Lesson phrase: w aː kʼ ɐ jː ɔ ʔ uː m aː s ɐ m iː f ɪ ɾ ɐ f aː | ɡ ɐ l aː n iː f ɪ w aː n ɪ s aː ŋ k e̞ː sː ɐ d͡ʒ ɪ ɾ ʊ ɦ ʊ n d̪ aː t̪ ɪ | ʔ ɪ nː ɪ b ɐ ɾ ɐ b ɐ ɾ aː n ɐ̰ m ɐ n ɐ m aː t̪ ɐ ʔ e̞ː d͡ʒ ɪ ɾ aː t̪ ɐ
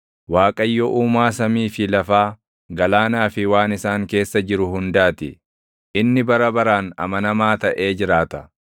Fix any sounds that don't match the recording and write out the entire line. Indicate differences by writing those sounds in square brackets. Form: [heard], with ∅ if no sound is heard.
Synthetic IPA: w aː kʼ ɐ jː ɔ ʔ uː m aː s ɐ m iː f ɪ [l] ɐ f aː | ɡ ɐ l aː n [aː] f ɪ w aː n ɪ s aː ŋ k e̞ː sː ɐ d͡ʒ ɪ ɾ ʊ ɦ ʊ n d̪ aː t̪ ɪ | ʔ ɪ nː ɪ b ɐ ɾ ɐ b ɐ ɾ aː n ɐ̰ m ɐ n ɐ m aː t̪ ɐ ʔ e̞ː d͡ʒ ɪ ɾ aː t̪ ɐ

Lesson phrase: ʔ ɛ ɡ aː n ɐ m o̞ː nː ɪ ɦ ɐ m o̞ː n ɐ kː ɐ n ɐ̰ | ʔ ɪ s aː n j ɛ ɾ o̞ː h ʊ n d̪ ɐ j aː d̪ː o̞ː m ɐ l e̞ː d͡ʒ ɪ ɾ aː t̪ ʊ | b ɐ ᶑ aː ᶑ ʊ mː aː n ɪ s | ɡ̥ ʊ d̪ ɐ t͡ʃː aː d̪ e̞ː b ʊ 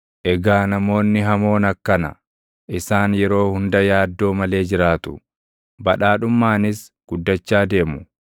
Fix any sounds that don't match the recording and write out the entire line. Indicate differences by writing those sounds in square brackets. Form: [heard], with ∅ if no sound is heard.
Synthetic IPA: ʔ ɛ ɡ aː n ɐ m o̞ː nː ɪ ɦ ɐ m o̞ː n ɐ kː ɐ n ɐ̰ | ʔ ɪ s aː n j ɛ ɾ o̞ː h ʊ n d̪ ɐ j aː d̪ː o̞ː m ɐ l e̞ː d͡ʒ ɪ ɾ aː t̪ ʊ | b ɐ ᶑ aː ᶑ ʊ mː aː n ɪ s | ɡ̥ ʊ [d̪ː] ɐ t͡ʃː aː d̪ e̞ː [m] ʊ

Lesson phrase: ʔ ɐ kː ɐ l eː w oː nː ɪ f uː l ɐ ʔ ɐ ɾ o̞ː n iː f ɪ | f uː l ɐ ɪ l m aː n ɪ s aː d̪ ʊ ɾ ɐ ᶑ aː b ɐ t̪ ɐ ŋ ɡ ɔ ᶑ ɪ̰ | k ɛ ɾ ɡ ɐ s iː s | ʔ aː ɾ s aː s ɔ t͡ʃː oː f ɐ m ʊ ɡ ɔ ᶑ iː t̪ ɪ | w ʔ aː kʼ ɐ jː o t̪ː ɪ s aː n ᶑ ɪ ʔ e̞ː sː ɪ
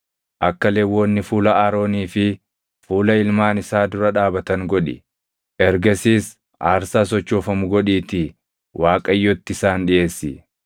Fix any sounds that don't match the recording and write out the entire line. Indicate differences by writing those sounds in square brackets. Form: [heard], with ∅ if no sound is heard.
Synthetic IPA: ʔ ɐ kː ɐ l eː w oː nː ɪ f uː l ɐ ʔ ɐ ɾ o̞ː n iː f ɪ | f uː l ɐ ɪ l m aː n ɪ s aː d̪ ʊ ɾ ɐ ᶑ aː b ɐ t̪ ɐ ŋ ɡ ɔ ᶑ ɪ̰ | [ʔ] ɛ ɾ ɡ ɐ s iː s | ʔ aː ɾ s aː s ɔ t͡ʃː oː f ɐ m ʊ ɡ ɔ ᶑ iː t̪ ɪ | w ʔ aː kʼ ɐ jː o t̪ː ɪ s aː n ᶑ ɪ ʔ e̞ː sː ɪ

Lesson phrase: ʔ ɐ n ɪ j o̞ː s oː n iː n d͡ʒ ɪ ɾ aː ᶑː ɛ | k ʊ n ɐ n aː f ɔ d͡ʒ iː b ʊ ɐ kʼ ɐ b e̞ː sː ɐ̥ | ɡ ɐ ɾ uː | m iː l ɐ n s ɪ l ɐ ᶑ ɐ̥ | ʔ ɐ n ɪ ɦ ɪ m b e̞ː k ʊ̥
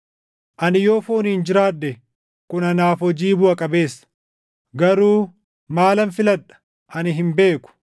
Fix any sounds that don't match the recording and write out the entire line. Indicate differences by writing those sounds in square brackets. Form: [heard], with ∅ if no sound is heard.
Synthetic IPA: ʔ ɐ n ɪ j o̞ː [f] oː n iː n d͡ʒ ɪ ɾ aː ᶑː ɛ | k ʊ n ɐ n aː f ɔ d͡ʒ iː b ʊ ɐ kʼ ɐ b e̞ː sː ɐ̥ | ɡ ɐ ɾ uː | m [aː] l ɐ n [f] ɪ l ɐ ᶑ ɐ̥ | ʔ ɐ n ɪ ɦ ɪ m b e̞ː k ʊ̥

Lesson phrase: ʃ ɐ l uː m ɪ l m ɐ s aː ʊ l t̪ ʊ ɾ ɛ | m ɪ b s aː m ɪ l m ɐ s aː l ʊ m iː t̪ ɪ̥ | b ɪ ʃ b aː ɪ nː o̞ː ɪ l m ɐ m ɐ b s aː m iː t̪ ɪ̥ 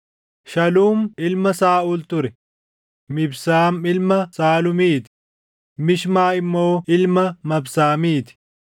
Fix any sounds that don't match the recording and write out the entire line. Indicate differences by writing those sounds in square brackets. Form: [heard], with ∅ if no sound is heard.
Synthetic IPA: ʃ ɐ l uː m ɪ l m ɐ s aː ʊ l t̪ ʊ ɾ ɛ | m ɪ b s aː m ɪ l m ɐ s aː l ʊ m iː t̪ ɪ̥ | [m] ɪ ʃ [m] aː ɪ [mː] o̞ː ɪ l m ɐ m ɐ b s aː m iː t̪ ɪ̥

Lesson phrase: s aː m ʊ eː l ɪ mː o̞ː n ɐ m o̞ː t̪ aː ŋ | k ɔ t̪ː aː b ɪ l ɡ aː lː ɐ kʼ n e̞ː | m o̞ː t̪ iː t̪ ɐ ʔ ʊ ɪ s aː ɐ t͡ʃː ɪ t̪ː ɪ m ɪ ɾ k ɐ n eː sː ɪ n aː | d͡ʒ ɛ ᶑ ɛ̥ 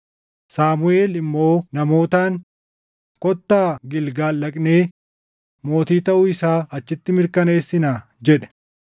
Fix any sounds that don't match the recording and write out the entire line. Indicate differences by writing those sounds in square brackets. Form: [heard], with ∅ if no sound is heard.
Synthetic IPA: s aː m ʊ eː l ɪ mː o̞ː n ɐ m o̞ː t̪ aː ŋ | k ɔ t̪ː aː [ɡ] ɪ l ɡ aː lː ɐ kʼ n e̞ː | m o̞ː t̪ iː t̪ ɐ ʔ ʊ ɪ s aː ɐ t͡ʃː ɪ t̪ː ɪ m ɪ ɾ k ɐ n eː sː ɪ n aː | d͡ʒ ɛ ᶑ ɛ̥

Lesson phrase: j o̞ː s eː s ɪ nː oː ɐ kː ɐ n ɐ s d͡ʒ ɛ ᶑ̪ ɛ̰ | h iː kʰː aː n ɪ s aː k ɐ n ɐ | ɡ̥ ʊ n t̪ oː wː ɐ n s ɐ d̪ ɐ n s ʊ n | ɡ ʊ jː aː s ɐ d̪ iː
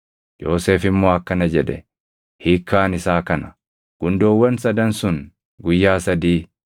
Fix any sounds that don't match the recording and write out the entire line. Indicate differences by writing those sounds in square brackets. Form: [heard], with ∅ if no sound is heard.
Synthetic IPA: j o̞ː s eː [f] ɪ [mː] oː ɐ kː ɐ n ɐ [∅] d͡ʒ ɛ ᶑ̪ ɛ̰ | h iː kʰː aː n ɪ s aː k ɐ n ɐ | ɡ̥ ʊ n [d̪] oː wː ɐ n s ɐ d̪ ɐ n s ʊ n | ɡ ʊ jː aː s ɐ d̪ iː

